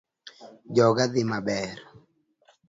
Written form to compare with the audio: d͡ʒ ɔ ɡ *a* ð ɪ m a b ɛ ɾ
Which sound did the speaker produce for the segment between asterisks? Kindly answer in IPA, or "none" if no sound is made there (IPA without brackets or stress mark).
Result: a